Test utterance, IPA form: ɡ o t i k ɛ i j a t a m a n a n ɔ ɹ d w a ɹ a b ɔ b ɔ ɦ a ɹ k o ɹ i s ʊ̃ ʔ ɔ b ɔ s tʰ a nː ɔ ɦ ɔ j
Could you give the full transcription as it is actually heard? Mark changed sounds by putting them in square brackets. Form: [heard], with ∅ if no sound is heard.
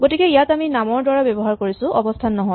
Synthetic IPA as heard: ɡ o t i k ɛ i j a t a m [i] n a [m] ɔ ɹ d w a ɹ a b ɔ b ɔ ɦ a ɹ k o ɹ i s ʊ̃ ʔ ɔ b ɔ s tʰ a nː ɔ ɦ ɔ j